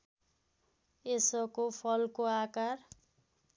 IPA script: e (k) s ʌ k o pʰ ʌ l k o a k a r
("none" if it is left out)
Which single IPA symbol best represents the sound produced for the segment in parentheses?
none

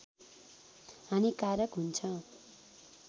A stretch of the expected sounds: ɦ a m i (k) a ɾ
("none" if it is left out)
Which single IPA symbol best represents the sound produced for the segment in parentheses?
k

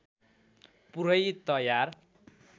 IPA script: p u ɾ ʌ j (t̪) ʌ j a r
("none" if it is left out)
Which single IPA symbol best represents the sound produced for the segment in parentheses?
t̪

